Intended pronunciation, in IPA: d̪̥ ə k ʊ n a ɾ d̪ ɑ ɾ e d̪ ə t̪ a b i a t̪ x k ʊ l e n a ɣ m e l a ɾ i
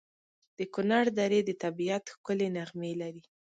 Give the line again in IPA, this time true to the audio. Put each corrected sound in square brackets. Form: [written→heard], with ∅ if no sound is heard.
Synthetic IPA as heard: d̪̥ ə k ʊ n a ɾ d̪ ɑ ɾ e d̪ ə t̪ a b i a t̪ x k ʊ l e n a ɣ m e l a ɾ i

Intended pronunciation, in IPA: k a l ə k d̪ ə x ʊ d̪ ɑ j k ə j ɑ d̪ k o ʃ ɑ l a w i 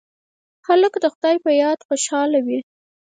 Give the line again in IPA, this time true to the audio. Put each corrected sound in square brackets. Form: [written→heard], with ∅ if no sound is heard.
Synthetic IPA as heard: [k→x] a l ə k d̪ ə x ʊ d̪ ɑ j [k→p] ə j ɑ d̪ [k→x] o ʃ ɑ l a w i

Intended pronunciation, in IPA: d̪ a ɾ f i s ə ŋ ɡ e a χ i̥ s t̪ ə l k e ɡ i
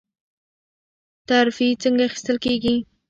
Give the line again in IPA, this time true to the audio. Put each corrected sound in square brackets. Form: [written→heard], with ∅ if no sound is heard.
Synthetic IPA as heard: [d̪→t̪] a ɾ f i [s→t͡s] ə ŋ ɡ [e→a] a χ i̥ s t̪ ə l k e ɡ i

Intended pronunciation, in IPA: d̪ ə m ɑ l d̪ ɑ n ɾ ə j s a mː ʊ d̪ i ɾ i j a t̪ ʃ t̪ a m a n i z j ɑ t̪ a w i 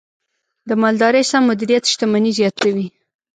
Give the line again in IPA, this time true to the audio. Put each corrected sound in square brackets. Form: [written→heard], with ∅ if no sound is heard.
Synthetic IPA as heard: d̪ ə m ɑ l d̪ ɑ [n→∅] ɾ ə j s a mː ʊ d̪ i ɾ i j a t̪ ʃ t̪ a m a n i z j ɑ t̪ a w i

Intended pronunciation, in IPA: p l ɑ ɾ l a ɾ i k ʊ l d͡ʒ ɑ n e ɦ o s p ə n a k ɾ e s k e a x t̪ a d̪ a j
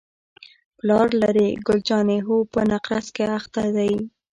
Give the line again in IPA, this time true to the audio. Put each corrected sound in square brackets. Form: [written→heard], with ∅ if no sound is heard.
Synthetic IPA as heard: p l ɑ ɾ l a ɾ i [k→ɡ] ʊ l d͡ʒ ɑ n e ɦ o [s→∅] p ə n a [k→q] ɾ [e→a] s k e a x t̪ a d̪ a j

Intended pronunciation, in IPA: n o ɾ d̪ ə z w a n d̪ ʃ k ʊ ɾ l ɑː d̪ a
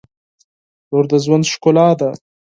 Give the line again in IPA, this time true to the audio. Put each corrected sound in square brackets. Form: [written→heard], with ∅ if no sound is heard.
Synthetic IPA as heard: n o ɾ d̪ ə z w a n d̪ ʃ k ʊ [ɾ→∅] l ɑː d̪ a

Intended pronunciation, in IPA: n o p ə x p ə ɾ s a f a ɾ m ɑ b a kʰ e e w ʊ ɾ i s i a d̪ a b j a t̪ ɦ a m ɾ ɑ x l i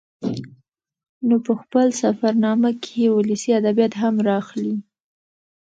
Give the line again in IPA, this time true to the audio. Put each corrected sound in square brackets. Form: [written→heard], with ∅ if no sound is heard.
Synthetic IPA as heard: n o p ə x p ə [ɾ→l] s a f a ɾ [m→n] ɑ [b→m] a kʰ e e w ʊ [ɾ→l] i s i a d̪ a b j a t̪ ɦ a m ɾ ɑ x l i

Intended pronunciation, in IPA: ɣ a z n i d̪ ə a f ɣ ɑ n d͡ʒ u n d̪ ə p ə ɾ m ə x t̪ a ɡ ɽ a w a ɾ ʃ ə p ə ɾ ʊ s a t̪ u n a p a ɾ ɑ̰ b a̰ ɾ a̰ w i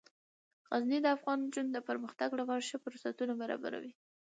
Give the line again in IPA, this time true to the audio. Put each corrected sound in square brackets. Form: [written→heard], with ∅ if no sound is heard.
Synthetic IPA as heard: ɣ a z n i d̪ ə a f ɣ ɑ n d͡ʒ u n d̪ ə p ə ɾ m ə x t̪ a ɡ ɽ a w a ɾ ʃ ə p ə ɾ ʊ s a t̪ u n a [p→b] a ɾ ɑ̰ b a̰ ɾ a̰ w i

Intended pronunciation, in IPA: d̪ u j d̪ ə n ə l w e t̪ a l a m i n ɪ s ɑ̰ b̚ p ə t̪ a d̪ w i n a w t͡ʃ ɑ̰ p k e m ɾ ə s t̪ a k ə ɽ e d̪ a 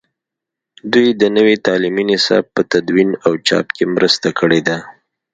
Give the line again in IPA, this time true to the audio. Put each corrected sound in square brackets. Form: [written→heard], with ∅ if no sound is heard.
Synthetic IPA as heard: d̪ u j d̪ ə n ə [l→∅] w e t̪ [a→ɑ] l [a→i] m i n ɪ s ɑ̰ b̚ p ə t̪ a d̪ w i n a w t͡ʃ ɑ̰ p k e m ɾ ə s t̪ a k ə ɽ e d̪ a

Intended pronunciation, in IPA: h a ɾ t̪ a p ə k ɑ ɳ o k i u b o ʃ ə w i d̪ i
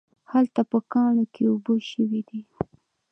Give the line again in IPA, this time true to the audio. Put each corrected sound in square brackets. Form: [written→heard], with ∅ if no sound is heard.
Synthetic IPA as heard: h a [ɾ→l] t̪ a p ə k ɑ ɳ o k [i→e] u b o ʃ ə w i d̪ i

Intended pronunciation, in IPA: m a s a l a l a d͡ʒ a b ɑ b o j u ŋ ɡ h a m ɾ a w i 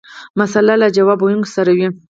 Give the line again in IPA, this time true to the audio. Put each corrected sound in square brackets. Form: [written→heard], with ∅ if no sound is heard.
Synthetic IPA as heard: m a s a l a l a d͡ʒ a [b→w] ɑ b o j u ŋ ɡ [h→s] a [m→∅] ɾ a w i

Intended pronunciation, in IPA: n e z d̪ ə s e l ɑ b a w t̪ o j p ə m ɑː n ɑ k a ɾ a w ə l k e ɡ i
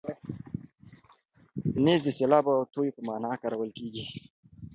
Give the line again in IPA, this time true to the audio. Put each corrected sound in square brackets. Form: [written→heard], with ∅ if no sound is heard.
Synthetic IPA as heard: n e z d̪ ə s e l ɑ b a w t̪ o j p ə m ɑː n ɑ k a ɾ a w ə l k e ɡ i

